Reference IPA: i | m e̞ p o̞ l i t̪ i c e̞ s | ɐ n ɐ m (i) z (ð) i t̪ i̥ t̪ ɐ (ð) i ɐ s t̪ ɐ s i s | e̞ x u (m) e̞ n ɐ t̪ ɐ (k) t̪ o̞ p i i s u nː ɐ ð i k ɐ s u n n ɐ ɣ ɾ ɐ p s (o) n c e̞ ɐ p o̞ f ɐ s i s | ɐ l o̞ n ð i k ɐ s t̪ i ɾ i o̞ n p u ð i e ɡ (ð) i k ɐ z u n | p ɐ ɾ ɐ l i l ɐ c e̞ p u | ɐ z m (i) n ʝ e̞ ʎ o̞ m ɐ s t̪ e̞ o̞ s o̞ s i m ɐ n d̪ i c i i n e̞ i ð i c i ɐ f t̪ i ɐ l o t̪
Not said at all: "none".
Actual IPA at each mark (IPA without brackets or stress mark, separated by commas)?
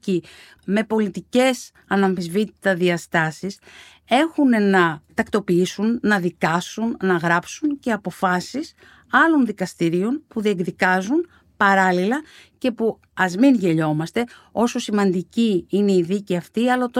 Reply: i, v, ð, n, k, u, ð, i